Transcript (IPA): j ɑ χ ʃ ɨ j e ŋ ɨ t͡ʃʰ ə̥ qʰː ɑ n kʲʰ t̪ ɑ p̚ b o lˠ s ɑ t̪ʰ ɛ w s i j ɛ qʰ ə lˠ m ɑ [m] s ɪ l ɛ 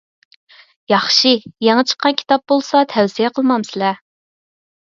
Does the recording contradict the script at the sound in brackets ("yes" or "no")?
no